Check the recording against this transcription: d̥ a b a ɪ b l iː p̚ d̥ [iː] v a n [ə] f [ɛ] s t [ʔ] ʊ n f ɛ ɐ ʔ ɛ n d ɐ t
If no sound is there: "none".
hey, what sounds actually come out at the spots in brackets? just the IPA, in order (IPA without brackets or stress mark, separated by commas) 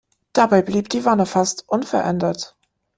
iː, ə, a, ʔ